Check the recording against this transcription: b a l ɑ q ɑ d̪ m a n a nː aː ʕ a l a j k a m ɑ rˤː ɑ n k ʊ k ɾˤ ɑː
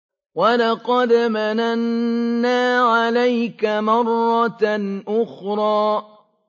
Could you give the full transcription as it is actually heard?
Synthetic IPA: w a l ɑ q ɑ d̪ m a n a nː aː ʕ a l a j k a m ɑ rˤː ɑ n ʔ ʊ x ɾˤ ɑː